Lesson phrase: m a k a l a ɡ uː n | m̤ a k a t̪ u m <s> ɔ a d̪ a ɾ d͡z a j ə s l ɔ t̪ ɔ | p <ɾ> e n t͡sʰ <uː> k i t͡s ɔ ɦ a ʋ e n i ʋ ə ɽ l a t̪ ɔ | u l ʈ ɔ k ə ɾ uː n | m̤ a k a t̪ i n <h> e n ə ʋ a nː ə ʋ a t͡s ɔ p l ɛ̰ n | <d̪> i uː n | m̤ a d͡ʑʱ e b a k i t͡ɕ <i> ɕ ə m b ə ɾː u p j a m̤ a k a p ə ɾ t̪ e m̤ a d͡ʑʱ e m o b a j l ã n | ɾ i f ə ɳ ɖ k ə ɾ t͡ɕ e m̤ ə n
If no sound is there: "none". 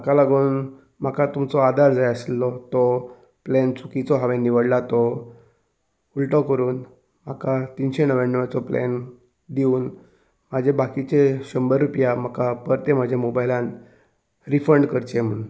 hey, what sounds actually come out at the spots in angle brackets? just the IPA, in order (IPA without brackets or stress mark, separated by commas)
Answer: t͡s, l, u, ɕ, d̪, e